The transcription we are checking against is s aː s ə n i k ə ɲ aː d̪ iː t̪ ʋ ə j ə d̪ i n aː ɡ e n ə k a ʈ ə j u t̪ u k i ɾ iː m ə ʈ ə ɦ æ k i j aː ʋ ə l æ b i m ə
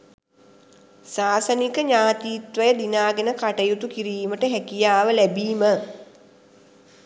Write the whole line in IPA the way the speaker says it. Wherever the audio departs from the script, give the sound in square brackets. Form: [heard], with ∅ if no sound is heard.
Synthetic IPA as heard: s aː s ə n i k ə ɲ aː [t̪] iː t̪ ʋ ə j ə d̪ i n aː ɡ e n ə k a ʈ ə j u t̪ u k i ɾ iː m ə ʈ ə ɦ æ k i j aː ʋ ə l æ b [iː] m ə